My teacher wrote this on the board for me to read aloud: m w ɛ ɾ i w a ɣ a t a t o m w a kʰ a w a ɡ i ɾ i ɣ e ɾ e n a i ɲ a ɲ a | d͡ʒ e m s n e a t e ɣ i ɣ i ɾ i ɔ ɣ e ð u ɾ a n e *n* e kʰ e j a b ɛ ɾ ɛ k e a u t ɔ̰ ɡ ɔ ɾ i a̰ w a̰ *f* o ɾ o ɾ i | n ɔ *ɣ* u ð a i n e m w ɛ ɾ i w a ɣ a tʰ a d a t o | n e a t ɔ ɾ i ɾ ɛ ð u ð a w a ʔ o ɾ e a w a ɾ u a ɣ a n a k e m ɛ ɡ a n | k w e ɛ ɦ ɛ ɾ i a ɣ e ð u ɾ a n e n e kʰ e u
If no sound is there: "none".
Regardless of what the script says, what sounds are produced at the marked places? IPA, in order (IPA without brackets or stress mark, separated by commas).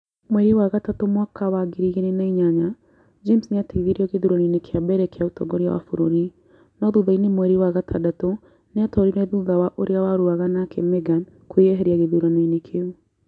n, f, ð